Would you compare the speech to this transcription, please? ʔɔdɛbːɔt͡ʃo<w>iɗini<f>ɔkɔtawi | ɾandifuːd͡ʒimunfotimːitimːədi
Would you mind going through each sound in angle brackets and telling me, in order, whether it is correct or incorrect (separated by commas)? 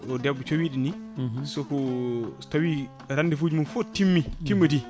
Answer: correct, incorrect